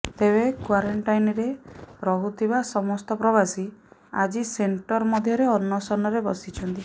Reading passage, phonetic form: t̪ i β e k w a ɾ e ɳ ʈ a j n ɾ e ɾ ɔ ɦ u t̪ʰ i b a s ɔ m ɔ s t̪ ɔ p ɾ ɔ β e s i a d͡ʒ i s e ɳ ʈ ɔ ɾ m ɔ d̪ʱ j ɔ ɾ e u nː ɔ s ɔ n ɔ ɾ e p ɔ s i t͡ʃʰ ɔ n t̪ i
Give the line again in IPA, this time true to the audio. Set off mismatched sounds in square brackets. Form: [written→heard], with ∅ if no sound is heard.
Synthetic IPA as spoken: t̪ [i→e] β e k w a ɾ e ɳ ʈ a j n ɾ e ɾ ɔ ɦ u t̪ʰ i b a s ɔ m ɔ s t̪ ɔ p ɾ ɔ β [e→a] s i a d͡ʒ i s e ɳ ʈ ɔ ɾ m ɔ d̪ʱ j ɔ ɾ e [u→ɔ] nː ɔ s ɔ n ɔ ɾ e [p→b] ɔ s i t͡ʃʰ ɔ n t̪ i